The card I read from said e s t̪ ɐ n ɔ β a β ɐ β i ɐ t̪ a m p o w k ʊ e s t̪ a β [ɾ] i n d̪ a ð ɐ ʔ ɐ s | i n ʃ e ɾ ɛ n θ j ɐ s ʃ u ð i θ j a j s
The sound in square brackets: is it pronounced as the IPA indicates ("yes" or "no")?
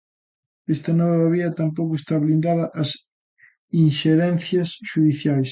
no